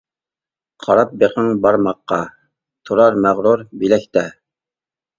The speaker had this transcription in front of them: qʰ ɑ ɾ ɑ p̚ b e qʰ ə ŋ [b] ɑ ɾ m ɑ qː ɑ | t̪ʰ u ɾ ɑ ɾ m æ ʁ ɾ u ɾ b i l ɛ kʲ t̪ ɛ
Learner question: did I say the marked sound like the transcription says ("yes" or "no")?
yes